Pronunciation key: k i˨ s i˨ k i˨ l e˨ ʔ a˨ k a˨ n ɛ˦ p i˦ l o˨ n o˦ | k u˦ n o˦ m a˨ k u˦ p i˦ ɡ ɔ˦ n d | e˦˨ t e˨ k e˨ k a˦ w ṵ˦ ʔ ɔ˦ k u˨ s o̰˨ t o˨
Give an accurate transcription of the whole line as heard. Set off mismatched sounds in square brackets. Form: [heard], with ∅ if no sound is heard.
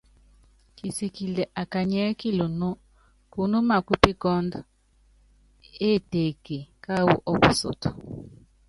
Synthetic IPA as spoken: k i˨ s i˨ k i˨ l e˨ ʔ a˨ k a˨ [ɲ] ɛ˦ [k] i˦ l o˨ n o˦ | k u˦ n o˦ m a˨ k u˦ p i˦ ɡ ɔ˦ n d | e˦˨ t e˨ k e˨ k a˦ w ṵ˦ ʔ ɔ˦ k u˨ s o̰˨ t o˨